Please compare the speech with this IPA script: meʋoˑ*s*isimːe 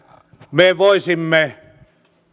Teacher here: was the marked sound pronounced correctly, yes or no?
no